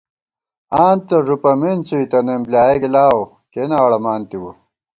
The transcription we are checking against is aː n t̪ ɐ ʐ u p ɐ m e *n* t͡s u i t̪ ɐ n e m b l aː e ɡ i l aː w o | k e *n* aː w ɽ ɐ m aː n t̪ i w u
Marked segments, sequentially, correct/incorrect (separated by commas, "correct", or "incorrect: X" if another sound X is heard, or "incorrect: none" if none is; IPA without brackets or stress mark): correct, correct